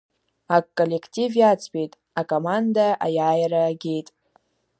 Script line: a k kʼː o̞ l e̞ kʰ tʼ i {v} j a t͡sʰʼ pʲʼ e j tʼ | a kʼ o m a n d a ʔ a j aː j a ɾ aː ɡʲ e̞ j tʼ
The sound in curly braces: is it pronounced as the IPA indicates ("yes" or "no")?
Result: yes